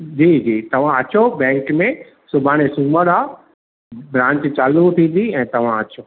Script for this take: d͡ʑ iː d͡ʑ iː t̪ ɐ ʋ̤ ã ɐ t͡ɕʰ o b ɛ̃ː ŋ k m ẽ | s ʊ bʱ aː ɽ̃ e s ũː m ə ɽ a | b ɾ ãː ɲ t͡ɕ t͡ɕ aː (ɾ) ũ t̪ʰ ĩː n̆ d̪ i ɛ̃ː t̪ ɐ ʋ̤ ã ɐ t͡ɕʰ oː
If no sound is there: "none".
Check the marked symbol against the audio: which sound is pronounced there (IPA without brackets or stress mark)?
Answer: l